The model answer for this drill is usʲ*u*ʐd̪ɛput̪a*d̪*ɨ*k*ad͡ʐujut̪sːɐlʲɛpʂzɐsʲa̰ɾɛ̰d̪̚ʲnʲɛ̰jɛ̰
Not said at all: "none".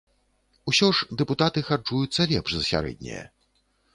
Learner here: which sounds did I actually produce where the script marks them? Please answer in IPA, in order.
ɔ, t̪, x

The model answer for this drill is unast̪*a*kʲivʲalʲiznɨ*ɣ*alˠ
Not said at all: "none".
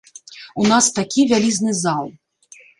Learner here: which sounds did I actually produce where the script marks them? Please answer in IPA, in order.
a, z

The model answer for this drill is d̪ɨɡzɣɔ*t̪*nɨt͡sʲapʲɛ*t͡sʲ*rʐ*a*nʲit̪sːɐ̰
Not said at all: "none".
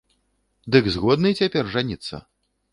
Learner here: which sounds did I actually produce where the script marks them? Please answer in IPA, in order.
d̪, none, a

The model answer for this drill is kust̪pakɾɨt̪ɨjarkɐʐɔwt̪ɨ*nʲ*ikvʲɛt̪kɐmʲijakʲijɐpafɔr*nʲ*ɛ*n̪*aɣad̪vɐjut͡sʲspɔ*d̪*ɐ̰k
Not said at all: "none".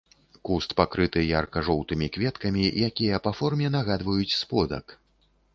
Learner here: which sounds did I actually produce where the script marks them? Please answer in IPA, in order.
mʲ, mʲ, n̪, d̪

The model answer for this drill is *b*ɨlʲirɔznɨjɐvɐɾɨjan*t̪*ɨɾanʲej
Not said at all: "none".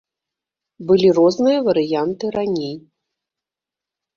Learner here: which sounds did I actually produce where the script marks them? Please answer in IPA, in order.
b, t̪

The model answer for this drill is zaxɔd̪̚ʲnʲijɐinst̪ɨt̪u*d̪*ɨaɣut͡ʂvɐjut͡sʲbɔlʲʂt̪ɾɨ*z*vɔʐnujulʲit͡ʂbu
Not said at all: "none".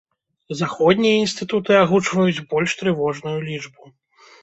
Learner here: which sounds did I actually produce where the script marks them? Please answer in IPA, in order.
t̪, none

